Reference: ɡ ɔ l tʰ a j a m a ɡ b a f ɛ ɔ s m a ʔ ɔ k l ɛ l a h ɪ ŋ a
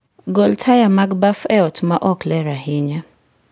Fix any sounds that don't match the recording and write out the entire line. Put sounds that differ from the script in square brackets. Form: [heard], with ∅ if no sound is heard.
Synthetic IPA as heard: ɡ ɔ l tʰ a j a m a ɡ b a f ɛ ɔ [t] m a ʔ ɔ k l ɛ [ɾ] a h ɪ [ɲ] a

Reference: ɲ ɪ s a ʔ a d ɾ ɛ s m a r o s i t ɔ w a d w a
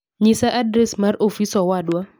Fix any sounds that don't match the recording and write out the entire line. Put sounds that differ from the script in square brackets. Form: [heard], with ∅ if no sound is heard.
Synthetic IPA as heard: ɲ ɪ s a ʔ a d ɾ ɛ s m a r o [f] i [s] ɔ w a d w a

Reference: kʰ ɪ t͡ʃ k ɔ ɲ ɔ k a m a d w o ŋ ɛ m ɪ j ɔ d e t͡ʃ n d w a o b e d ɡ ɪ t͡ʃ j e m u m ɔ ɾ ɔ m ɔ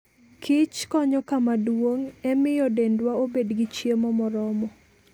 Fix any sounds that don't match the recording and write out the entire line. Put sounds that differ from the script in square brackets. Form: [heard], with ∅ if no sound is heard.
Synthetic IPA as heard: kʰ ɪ t͡ʃ k ɔ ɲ ɔ k a m a d w o ŋ ɛ m ɪ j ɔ d e [∅] n d w a o b e d ɡ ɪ t͡ʃ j e m [ɔ] m ɔ ɾ ɔ m ɔ

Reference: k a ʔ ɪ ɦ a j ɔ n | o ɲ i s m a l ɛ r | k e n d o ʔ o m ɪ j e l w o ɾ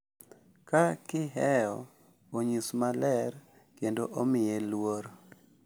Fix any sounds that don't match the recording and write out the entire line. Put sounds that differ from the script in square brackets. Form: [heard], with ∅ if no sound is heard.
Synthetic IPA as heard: k a [k] ɪ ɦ [ɛ] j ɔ [∅] | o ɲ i s m a l ɛ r | k e n d o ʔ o m ɪ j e l w o ɾ

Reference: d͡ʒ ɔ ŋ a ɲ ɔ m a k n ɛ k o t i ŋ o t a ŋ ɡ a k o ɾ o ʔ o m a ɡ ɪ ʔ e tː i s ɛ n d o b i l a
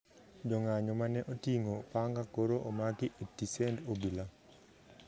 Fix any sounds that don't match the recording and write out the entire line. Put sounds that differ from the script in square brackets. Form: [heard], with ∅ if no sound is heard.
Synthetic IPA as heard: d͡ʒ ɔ ŋ a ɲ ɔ m a [∅] n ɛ [ʔ] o t i ŋ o [p] a ŋ ɡ a k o ɾ o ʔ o m a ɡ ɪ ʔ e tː i s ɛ n d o b i l a

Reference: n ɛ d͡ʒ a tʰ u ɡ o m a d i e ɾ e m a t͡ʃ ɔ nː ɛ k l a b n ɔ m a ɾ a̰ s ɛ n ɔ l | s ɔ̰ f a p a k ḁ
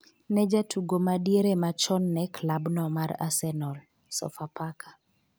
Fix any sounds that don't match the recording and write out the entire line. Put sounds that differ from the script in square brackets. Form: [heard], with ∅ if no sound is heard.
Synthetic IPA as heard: n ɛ d͡ʒ a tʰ u ɡ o m a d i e ɾ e m a t͡ʃ ɔ nː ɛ k l a b n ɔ m a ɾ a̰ s ɛ n ɔ l | s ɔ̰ f a p a k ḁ

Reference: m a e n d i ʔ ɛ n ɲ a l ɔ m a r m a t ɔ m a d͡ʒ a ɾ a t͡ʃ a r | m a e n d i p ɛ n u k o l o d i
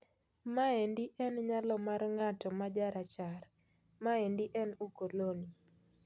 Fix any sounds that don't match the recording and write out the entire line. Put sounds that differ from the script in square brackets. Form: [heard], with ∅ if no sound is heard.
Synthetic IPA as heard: m a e n d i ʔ ɛ n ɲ a l ɔ m a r [ŋ] a t ɔ m a d͡ʒ a ɾ a t͡ʃ a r | m a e n d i [ʔ] ɛ n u k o l o [n] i

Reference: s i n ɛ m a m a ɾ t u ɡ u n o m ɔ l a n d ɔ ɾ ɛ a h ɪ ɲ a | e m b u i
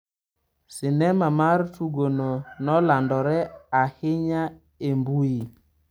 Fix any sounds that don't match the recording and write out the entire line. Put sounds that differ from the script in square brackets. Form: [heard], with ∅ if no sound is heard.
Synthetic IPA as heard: s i n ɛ m a m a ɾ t u ɡ [o] n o [n] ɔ l a n d ɔ ɾ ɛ a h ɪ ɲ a | e m b u i

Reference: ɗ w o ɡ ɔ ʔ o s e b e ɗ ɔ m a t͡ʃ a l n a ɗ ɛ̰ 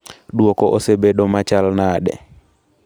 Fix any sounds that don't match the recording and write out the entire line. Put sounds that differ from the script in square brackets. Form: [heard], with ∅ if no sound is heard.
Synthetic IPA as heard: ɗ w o [k] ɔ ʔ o s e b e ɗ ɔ m a t͡ʃ a l n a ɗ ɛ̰

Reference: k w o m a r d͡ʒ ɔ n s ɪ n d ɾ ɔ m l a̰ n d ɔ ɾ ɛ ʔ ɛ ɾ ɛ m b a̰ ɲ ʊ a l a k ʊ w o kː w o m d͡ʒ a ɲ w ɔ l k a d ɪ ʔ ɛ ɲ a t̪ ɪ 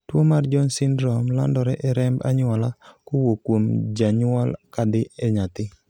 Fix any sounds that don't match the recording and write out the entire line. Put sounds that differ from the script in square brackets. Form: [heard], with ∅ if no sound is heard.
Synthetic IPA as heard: [t] w o m a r d͡ʒ ɔ n s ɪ n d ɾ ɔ m l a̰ n d ɔ ɾ ɛ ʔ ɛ ɾ ɛ m b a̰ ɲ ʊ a l a k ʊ w o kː w o m d͡ʒ a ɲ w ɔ l k a d ɪ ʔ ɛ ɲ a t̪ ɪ

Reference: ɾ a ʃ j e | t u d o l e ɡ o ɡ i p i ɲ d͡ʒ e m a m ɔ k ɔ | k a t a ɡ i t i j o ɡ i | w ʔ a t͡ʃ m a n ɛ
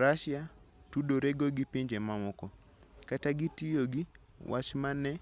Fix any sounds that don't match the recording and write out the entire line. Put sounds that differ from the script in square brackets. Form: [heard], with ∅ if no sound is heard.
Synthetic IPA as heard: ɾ a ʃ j [a] | t u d o [ɾ] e ɡ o ɡ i p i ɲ d͡ʒ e m a m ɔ k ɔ | k a t a ɡ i t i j o ɡ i | w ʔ a t͡ʃ m a n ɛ

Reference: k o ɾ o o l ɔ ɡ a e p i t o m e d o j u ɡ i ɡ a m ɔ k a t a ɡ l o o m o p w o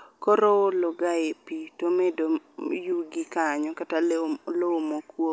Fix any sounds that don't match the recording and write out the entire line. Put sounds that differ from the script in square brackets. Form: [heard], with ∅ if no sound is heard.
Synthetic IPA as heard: k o ɾ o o l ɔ ɡ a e p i t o m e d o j u ɡ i [k] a [ɲ] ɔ k a t a [∅] l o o m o [k] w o

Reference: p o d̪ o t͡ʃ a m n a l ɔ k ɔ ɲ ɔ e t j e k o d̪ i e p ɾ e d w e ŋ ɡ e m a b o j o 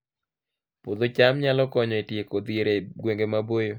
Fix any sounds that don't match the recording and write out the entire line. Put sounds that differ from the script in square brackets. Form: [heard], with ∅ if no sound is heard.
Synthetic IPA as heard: p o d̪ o t͡ʃ a m [ɲ] a l ɔ k ɔ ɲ ɔ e t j e k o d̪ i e [∅] ɾ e [ɡ] w e ŋ ɡ e m a b o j o

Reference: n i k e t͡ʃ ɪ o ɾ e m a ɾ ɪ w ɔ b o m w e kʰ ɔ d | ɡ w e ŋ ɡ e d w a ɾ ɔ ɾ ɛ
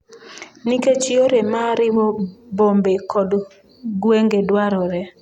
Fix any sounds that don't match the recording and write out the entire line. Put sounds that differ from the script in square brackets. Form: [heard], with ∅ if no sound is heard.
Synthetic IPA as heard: n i k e t͡ʃ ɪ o ɾ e m a ɾ ɪ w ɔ b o m [b] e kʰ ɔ d | ɡ w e ŋ ɡ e d w a ɾ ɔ ɾ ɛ

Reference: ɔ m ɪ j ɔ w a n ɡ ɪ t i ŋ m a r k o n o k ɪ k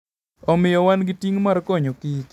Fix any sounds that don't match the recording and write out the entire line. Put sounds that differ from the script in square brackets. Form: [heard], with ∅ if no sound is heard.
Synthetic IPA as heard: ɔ m ɪ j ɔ w a n ɡ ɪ t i ŋ m a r k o [ɲ] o k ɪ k

